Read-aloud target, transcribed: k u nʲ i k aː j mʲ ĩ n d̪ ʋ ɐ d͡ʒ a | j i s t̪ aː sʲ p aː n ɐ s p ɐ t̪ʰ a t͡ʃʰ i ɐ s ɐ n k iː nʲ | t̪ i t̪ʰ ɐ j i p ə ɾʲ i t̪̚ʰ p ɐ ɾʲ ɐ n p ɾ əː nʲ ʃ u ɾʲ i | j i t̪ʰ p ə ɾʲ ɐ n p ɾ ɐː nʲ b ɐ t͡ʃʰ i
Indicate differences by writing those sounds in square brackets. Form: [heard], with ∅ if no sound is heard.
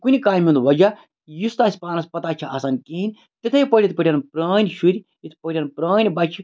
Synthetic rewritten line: k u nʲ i k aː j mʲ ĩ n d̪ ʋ ɐ d͡ʒ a | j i s t̪ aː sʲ p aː n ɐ s p ɐ [t̪] a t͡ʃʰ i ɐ s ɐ n k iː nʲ | t̪ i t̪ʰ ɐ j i p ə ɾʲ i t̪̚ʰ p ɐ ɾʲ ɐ n p ɾ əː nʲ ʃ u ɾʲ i | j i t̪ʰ p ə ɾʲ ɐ n p ɾ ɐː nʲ b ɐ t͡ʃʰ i